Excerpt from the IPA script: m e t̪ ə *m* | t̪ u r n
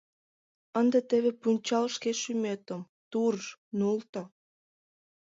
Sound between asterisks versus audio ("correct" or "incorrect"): correct